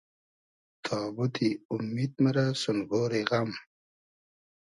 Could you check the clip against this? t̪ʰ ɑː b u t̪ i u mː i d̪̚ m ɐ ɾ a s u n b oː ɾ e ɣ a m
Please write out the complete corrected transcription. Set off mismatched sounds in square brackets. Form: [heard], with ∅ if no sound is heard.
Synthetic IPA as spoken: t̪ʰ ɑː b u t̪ i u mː i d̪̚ m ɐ ɾ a s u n [ɡ] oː ɾ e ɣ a m

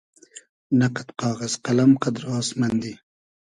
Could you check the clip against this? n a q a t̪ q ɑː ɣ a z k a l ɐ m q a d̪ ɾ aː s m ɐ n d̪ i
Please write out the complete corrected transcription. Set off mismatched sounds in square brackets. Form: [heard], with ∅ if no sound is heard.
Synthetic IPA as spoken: n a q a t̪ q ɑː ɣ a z [q] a l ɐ m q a d̪ ɾ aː s m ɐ n d̪ i

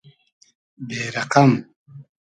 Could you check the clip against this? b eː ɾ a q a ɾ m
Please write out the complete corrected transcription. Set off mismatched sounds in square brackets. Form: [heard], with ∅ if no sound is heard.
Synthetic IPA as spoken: b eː ɾ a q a [∅] m

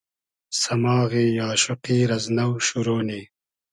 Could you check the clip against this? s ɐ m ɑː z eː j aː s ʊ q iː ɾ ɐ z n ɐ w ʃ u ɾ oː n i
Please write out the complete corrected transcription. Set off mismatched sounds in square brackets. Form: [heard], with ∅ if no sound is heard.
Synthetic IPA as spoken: s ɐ m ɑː [ɣ] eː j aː [ʃ] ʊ q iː ɾ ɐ z n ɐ w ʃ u ɾ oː n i

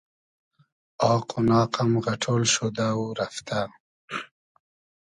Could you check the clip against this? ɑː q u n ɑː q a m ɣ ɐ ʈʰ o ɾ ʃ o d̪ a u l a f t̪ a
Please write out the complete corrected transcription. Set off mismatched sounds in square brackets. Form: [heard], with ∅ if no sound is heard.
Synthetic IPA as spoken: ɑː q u n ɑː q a m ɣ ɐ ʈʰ o [l] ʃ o d̪ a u [ɾ] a f t̪ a

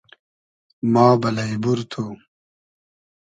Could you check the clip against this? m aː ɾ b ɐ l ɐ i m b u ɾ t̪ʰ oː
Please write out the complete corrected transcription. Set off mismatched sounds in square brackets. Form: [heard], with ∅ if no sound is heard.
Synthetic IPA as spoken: m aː [∅] b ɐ l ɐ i [∅] b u ɾ t̪ʰ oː

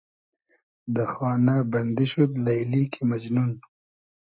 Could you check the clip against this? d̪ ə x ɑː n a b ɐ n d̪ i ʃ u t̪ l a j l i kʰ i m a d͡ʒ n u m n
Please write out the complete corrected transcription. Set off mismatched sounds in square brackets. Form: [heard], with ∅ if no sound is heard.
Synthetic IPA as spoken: d̪ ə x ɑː n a b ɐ n d̪ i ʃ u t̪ l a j l i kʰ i m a d͡ʒ n u [∅] n

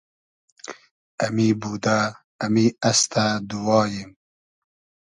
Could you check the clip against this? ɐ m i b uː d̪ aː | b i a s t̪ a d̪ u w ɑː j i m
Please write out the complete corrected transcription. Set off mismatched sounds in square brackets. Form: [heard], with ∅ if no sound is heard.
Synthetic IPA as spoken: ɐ m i b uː d̪ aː | [m] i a s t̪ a d̪ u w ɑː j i m

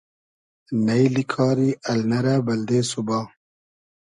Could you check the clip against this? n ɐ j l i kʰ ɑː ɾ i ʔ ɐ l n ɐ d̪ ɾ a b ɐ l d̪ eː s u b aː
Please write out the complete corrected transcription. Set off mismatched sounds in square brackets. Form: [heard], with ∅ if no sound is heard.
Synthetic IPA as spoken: n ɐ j l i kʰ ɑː ɾ i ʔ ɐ l n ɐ [∅] ɾ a b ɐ l d̪ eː s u b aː

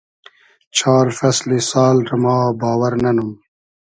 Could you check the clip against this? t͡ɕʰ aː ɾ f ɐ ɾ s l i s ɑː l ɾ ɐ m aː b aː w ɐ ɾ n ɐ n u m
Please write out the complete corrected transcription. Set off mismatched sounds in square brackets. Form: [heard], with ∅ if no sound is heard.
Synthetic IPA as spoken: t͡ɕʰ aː ɾ f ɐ [∅] s l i s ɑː l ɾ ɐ m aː b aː w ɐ ɾ n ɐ n u m

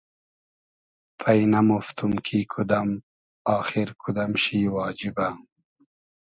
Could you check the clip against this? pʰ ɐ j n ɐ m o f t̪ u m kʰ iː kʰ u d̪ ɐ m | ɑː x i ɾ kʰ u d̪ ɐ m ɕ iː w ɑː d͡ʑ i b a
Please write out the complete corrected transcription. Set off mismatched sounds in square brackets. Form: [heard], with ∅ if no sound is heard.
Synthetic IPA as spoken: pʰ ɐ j n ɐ m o f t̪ u m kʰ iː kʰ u d̪ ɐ m | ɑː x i ɾ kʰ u d̪ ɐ m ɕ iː w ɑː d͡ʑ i b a

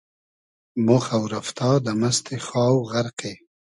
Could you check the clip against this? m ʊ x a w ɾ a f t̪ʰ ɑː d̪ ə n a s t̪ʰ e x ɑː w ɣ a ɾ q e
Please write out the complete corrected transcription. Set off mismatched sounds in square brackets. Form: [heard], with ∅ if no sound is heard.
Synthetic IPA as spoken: m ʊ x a w ɾ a f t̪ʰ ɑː d̪ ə [m] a s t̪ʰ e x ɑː w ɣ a ɾ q e

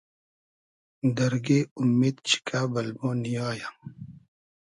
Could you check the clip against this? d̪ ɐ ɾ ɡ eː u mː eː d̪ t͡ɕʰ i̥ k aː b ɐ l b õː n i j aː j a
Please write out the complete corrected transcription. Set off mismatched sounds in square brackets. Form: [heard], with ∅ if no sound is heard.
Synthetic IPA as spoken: d̪ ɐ ɾ ɡ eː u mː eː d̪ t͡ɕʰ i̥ k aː b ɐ l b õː n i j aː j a

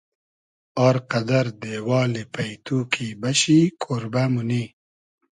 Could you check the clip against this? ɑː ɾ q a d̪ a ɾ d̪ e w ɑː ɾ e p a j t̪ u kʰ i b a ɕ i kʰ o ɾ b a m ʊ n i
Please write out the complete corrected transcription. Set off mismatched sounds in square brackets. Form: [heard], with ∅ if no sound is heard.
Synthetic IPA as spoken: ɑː ɾ q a d̪ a ɾ d̪ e w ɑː [l] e p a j t̪ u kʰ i b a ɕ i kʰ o ɾ b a m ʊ n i

